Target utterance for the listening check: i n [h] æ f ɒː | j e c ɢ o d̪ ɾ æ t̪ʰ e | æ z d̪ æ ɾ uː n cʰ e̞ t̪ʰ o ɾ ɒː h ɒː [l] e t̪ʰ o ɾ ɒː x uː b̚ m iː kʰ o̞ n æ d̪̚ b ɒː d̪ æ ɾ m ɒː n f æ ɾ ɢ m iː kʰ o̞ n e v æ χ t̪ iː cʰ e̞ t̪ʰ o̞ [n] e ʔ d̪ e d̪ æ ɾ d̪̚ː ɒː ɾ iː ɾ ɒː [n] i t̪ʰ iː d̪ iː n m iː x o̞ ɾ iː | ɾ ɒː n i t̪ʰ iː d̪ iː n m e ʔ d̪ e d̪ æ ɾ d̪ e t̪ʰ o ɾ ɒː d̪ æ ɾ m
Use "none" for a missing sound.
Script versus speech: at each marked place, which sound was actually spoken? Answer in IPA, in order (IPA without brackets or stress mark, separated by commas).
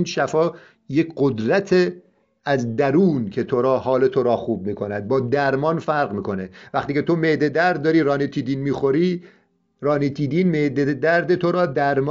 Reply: ʃ, l, m, n